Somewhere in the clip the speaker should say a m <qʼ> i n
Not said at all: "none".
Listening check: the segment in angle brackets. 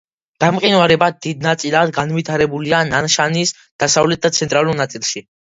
qʼ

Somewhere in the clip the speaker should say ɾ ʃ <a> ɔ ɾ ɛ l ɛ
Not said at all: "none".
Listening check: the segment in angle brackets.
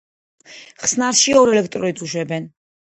i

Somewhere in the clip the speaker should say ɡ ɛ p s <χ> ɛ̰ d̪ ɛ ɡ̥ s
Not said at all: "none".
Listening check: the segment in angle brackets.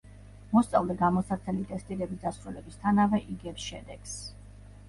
ʃ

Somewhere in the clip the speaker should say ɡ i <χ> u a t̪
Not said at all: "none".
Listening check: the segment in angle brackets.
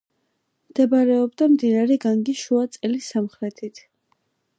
ʃ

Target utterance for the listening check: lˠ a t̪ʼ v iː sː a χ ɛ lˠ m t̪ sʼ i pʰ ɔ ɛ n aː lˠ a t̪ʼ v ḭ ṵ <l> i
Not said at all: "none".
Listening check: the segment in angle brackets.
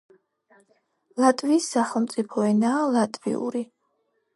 ɾ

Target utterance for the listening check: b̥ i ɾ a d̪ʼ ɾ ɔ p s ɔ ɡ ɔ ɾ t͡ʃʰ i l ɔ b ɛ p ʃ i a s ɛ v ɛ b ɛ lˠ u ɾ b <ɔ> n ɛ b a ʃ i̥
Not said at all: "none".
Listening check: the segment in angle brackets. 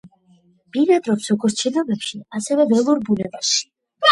u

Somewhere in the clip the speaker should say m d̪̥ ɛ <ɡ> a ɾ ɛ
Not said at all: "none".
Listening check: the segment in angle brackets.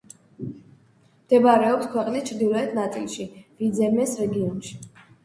b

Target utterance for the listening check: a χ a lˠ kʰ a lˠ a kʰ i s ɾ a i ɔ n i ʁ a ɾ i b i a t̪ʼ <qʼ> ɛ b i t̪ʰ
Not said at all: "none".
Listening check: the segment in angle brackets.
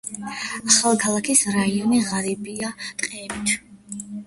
qʼ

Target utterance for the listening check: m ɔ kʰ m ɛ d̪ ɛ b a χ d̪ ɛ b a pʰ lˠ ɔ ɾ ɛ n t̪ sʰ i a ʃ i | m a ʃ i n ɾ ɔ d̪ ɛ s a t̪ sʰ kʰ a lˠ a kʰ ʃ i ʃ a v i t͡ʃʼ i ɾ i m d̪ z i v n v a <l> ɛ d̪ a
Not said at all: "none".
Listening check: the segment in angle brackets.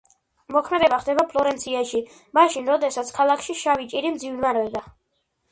ɾ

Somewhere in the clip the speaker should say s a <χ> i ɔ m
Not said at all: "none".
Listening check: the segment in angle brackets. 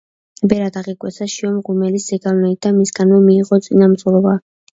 ʃ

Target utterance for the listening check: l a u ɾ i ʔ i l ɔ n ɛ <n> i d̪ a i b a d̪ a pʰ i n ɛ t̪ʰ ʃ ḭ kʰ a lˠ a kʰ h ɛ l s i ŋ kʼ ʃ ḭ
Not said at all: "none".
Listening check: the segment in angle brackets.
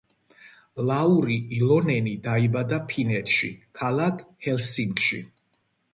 n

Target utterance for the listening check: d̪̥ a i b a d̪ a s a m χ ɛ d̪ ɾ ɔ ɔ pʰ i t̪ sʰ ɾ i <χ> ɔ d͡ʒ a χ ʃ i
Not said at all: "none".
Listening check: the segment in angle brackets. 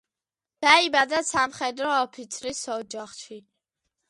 s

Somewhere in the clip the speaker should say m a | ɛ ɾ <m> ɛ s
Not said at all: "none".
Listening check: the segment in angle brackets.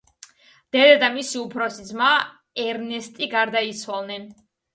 n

